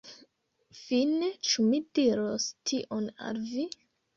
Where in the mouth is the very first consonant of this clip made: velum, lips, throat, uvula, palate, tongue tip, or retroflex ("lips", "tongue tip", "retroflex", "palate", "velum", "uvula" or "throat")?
lips